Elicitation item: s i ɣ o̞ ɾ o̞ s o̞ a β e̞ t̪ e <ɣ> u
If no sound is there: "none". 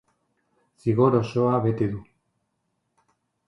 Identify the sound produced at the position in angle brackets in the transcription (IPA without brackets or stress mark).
ð